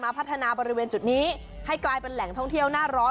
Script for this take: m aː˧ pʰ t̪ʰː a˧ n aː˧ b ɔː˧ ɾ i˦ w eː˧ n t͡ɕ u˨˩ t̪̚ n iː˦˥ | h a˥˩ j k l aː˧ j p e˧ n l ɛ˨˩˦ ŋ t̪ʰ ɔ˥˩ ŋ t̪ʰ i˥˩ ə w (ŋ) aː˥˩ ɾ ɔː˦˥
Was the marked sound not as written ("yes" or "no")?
yes